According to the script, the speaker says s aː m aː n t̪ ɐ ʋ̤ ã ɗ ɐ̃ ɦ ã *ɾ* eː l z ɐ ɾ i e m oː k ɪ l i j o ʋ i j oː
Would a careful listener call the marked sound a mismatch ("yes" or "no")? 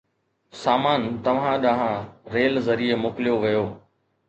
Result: no